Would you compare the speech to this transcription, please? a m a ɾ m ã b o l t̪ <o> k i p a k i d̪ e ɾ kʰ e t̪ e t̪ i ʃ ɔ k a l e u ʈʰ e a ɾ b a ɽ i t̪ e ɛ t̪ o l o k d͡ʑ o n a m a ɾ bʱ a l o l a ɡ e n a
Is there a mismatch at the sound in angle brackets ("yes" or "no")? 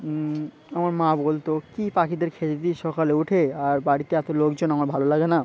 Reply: no